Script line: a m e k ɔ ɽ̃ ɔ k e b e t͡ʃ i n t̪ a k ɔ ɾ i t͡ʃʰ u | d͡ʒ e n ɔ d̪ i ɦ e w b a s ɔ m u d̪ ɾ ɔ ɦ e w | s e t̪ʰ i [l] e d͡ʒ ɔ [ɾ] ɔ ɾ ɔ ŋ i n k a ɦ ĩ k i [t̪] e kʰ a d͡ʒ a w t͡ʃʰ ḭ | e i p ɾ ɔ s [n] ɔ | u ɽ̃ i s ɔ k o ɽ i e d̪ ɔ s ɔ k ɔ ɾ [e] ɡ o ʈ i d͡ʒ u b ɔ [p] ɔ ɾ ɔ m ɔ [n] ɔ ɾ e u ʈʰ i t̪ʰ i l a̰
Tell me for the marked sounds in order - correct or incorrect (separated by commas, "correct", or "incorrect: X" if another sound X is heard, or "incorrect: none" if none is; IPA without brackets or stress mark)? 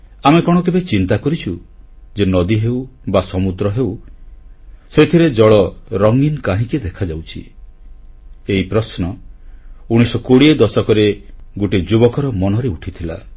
incorrect: ɾ, incorrect: ɭ, incorrect: d̪, correct, correct, incorrect: k, correct